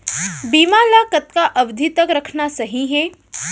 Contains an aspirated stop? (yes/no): yes